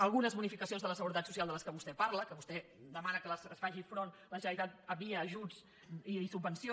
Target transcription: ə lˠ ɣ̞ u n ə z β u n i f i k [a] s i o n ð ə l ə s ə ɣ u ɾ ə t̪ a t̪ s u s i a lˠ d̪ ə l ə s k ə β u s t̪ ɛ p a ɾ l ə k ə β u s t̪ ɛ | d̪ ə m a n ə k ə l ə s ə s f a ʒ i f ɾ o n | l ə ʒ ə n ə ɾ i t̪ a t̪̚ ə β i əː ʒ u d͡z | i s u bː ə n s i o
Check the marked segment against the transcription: incorrect: ə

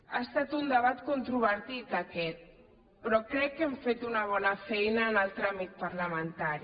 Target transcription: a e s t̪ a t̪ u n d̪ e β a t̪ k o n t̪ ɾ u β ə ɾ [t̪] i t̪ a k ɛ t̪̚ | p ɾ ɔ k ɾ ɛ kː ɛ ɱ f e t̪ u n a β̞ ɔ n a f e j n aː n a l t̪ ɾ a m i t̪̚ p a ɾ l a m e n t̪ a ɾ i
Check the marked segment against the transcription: correct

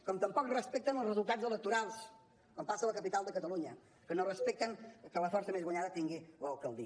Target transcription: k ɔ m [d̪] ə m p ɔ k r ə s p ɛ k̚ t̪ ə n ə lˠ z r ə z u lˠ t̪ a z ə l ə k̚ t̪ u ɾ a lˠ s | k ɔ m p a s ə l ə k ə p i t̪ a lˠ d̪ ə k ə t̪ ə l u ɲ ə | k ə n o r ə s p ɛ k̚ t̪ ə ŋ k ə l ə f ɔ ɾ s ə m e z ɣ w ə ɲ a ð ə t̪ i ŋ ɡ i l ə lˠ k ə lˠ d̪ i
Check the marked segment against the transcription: incorrect: t̪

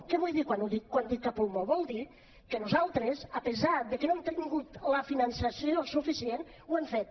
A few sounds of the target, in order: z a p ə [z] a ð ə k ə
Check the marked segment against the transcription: correct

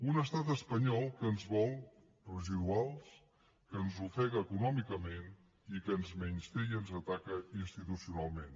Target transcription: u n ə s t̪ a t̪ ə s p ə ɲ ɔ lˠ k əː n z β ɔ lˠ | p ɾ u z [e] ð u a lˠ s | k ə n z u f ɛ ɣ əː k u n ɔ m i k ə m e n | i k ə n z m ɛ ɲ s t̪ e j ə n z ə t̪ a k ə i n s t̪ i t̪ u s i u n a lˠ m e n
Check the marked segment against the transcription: incorrect: i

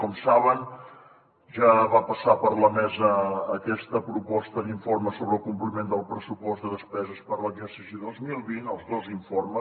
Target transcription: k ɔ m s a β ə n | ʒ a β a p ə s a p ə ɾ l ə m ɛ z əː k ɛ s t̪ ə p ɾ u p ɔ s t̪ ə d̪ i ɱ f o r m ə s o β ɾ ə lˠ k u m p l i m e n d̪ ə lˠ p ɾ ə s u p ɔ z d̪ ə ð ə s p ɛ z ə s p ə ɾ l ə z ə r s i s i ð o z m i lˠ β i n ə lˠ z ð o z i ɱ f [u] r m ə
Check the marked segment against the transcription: incorrect: o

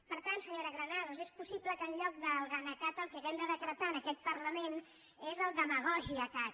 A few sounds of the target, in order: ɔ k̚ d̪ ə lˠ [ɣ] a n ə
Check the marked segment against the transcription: correct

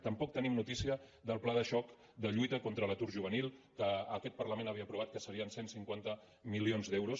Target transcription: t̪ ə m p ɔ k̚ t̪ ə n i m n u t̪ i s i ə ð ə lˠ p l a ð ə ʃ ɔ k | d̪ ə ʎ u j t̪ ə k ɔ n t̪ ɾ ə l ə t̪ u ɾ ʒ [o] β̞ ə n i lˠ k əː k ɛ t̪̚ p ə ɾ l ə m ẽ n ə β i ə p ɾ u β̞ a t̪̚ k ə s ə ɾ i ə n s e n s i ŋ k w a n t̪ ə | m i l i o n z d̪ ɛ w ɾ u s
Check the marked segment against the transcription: incorrect: u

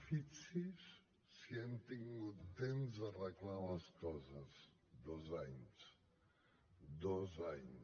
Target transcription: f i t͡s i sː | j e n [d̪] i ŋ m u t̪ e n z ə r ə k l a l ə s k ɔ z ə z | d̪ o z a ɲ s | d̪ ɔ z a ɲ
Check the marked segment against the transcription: incorrect: t̪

